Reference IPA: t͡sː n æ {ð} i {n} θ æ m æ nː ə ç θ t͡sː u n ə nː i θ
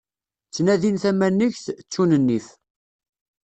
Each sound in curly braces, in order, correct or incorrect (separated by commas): correct, correct